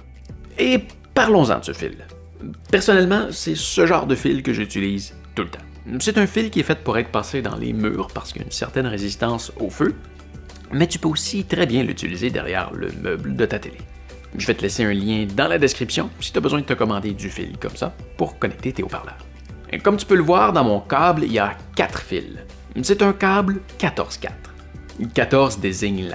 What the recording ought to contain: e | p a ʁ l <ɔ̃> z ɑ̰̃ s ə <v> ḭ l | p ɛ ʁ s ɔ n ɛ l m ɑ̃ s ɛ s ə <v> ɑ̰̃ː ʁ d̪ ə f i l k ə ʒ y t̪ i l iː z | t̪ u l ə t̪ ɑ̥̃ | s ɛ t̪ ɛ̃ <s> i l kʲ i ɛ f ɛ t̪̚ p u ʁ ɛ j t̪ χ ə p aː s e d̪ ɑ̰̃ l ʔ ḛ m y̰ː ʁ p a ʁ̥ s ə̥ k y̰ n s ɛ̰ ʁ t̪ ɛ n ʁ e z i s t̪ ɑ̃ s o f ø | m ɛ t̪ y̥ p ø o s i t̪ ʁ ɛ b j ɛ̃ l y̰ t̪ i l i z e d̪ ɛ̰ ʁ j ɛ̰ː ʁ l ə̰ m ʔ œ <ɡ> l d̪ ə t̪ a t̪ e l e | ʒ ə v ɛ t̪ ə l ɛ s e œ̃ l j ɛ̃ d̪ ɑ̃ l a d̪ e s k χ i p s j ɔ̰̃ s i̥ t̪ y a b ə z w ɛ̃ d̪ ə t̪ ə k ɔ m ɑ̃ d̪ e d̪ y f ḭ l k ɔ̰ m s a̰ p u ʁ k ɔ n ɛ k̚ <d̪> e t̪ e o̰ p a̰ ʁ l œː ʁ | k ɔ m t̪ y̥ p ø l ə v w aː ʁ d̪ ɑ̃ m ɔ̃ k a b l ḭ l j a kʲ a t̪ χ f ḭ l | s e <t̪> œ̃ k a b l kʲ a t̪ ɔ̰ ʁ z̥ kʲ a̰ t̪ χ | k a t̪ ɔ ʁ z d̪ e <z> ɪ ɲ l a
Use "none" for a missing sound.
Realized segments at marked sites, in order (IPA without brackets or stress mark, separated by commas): ɔ̃, f, ʒ, f, b, t̪, t̪, z